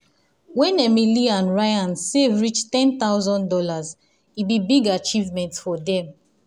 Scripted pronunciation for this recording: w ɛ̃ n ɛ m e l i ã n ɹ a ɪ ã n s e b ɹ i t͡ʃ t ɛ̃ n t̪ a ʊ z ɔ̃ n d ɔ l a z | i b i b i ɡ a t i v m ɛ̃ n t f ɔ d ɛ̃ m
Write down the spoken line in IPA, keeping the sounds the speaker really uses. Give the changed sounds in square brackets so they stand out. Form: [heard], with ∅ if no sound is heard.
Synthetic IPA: w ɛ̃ n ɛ m [i] l i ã n ɹ a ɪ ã n s e [v] ɹ i t͡ʃ t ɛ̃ n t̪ a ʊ z ɔ̃ n d ɔ l a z | i b i b i ɡ a [t͡ʃ] i v m ɛ̃ n t f ɔ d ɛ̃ m